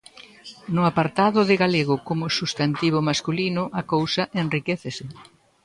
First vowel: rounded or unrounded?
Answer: rounded